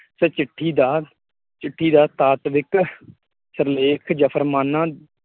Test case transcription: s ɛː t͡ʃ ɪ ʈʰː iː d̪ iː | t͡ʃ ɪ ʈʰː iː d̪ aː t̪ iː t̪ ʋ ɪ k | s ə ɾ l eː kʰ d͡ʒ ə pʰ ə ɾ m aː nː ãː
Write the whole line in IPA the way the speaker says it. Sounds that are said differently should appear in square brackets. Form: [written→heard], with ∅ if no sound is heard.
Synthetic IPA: s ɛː t͡ʃ ɪ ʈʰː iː d̪ [iː→aː] | t͡ʃ ɪ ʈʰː iː d̪ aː t̪ [iː→aː] t̪ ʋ ɪ k | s ə ɾ l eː kʰ d͡ʒ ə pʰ ə ɾ m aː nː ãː